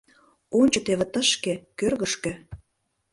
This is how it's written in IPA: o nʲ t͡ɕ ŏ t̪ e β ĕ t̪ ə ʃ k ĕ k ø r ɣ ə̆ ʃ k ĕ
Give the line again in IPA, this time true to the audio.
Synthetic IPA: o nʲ t͡ɕ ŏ t̪ e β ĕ t̪ ə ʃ k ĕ k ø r ɣ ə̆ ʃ k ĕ